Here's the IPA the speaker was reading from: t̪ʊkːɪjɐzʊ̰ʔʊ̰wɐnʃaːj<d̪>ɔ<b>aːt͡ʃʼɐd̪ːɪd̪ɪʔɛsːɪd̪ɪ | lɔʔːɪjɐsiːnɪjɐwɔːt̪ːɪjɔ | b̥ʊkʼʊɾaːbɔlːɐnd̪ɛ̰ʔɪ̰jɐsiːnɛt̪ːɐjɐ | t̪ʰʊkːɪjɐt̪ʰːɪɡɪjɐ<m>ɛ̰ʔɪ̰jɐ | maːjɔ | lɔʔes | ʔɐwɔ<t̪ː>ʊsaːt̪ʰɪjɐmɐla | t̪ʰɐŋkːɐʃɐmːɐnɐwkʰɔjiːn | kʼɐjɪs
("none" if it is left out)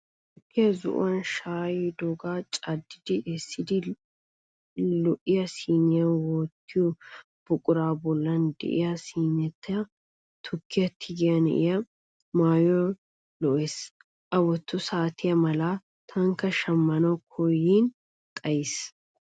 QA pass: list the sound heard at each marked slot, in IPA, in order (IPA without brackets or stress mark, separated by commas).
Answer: d̪, ɡ, n, t̪ː